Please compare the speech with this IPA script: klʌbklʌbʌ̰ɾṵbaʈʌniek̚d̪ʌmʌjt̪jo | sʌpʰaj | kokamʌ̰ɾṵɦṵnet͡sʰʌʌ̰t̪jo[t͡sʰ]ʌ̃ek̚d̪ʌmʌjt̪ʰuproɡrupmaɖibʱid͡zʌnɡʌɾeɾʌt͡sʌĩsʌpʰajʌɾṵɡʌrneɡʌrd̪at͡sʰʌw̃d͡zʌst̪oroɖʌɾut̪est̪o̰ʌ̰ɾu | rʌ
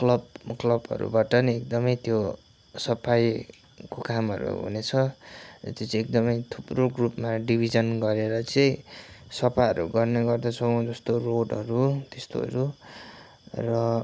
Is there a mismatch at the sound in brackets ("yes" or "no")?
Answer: yes